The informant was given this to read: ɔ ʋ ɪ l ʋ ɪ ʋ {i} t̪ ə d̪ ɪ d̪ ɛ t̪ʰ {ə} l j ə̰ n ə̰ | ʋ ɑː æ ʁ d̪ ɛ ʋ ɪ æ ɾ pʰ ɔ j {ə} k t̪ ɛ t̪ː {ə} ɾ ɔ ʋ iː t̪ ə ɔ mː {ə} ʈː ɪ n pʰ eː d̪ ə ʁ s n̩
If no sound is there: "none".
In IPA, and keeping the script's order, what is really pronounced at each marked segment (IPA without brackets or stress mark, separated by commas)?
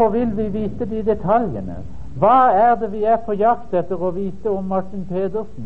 iː, ɑ, ɑ, ə, ɑ